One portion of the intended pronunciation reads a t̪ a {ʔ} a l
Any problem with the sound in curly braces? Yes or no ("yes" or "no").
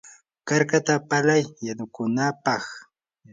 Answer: yes